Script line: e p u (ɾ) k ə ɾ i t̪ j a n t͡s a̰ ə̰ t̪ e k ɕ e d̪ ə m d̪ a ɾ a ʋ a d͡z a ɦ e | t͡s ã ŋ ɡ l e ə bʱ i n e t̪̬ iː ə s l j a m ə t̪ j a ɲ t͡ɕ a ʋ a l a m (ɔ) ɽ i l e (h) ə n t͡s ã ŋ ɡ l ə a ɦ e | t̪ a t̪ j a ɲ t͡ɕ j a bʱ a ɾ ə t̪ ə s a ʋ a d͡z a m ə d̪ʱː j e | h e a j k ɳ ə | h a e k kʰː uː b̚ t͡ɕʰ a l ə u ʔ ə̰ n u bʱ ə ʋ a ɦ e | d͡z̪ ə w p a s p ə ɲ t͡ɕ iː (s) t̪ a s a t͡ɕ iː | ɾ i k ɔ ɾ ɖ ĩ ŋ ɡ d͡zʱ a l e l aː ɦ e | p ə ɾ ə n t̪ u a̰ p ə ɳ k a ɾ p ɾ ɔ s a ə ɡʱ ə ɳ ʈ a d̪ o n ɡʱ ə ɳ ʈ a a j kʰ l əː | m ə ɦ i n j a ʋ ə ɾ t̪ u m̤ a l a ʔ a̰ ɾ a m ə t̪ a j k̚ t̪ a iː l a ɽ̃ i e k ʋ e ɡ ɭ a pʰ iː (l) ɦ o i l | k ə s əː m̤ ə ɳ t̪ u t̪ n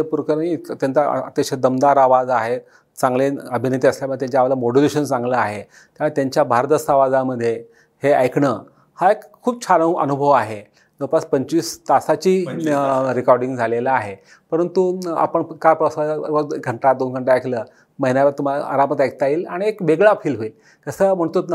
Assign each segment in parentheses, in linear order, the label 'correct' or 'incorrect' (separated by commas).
correct, incorrect, incorrect, correct, correct